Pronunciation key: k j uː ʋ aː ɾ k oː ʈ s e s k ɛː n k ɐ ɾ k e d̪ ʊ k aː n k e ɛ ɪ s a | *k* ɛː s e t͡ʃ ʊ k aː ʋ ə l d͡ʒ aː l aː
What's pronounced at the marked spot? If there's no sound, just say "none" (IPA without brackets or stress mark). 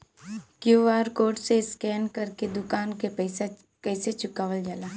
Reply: k